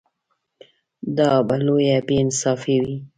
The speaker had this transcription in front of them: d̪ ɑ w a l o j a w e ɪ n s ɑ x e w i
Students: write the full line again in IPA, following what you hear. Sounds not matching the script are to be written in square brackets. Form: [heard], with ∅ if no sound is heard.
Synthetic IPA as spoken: d̪ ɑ [b] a l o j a [b] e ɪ n s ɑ [f] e w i